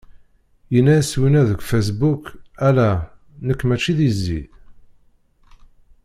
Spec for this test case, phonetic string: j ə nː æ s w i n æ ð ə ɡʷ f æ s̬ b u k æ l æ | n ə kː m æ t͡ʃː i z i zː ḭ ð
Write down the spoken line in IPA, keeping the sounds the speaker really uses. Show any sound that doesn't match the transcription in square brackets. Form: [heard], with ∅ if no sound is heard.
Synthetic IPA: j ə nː æ s w i n æ ð ə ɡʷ f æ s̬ b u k æ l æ | n ə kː m æ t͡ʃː i [ð] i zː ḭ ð